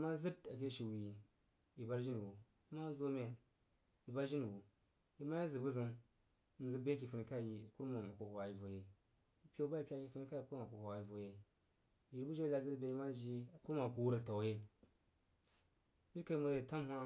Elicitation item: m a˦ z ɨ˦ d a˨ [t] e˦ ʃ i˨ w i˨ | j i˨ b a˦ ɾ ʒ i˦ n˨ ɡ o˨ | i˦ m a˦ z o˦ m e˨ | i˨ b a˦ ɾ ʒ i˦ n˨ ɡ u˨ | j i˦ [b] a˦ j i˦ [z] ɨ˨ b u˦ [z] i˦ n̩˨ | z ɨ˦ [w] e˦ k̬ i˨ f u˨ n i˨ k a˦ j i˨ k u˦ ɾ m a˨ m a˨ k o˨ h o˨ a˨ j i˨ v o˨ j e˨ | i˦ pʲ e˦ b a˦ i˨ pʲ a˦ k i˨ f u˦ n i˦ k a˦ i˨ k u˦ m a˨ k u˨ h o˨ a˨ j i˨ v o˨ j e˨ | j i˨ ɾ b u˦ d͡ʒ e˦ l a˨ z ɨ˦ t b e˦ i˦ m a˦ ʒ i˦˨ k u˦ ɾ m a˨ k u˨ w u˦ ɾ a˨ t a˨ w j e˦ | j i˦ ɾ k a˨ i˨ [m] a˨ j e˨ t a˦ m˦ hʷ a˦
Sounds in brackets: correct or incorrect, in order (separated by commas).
incorrect, incorrect, correct, correct, incorrect, correct